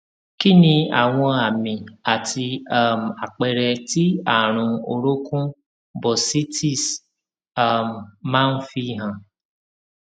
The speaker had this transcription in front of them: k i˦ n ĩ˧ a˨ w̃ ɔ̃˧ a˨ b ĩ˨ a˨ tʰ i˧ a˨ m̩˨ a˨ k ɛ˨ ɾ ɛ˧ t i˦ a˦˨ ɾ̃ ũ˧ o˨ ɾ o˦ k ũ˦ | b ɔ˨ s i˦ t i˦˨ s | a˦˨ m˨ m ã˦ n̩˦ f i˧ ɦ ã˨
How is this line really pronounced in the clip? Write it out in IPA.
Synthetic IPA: k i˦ n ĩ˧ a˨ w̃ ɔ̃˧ a˨ m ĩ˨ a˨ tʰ i˧ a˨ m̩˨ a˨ k͡p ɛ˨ ɾ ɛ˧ t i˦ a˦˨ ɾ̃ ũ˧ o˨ ɾ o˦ k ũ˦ | b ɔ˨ s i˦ t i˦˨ s | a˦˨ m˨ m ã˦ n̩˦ f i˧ ɦ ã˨